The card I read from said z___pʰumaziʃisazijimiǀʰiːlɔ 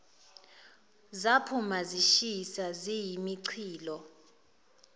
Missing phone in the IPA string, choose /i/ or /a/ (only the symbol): a